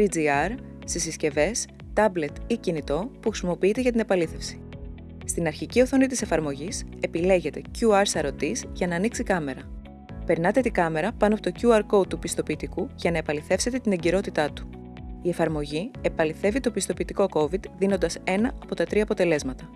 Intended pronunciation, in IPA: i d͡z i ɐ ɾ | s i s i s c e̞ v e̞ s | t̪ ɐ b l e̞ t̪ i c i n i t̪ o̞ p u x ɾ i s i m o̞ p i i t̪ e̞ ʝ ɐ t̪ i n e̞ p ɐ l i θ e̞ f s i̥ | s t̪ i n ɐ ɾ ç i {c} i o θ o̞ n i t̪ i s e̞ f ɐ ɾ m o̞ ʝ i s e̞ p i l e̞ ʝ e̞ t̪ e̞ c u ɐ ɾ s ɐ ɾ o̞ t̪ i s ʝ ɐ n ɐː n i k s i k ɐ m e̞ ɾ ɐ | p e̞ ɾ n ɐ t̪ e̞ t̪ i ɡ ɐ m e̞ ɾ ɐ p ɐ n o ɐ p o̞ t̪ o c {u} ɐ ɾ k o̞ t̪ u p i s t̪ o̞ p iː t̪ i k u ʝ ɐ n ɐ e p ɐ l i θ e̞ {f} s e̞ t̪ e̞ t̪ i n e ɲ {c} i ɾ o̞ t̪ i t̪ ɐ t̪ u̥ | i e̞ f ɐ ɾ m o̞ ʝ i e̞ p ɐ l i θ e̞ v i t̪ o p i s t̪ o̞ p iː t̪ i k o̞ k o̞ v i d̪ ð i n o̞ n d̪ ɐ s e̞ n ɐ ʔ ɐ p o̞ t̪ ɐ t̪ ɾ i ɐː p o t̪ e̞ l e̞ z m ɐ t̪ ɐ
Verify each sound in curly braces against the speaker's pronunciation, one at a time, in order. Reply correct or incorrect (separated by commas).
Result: correct, correct, correct, incorrect